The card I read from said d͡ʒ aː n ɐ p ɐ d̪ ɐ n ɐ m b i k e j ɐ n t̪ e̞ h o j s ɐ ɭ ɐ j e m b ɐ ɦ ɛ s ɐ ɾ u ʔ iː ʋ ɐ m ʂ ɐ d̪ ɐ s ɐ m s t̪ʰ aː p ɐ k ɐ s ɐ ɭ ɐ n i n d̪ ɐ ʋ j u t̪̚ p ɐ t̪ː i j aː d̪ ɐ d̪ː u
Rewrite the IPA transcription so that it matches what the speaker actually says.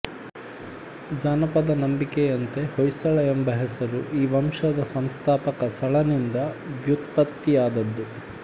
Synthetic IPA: d͡ʒ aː n ɐ p ɐ d̪ ɐ n ɐ m b i k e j ɐ n t̪ e̞ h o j s ɐ ɭ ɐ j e m b ɐ ɦ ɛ s ɐ ɾ u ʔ iː ʋ ɐ m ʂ ɐ d̪ ɐ s ɐ m s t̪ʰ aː p ɐ k ɐ s ɐ ɭ ɐ n i n d̪ ɐ ʋ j u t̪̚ p ɐ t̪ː i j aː d̪ ɐ d̪ː u